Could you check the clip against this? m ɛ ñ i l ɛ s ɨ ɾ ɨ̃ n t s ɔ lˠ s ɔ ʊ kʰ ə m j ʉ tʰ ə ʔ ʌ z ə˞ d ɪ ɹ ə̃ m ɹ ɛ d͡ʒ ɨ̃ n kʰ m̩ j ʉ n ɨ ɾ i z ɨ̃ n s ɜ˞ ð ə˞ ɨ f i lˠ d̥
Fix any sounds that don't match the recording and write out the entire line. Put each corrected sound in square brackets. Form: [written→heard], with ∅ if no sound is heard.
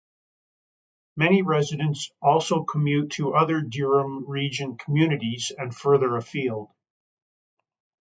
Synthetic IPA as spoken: m ɛ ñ i [l→ɹ] ɛ [s→z] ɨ ɾ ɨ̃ n t s ɔ lˠ s [ɔ→o] ʊ kʰ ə m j ʉ tʰ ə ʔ ʌ [z→ð] ə˞ d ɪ ɹ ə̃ m ɹ [ɛ→i] d͡ʒ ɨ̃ n kʰ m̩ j ʉ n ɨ ɾ i z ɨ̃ n [s→f] ɜ˞ ð ə˞ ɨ f i lˠ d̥